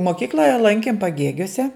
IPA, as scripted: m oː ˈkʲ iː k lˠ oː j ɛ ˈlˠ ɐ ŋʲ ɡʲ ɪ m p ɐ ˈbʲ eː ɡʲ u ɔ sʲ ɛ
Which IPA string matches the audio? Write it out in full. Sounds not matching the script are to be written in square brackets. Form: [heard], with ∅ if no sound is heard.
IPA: m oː ˈkʲ iː k lˠ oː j ɛ ˈlˠ ɐ ŋʲ [kʲ] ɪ m p ɐ [ˈɡʲ] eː ɡʲ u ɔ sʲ ɛ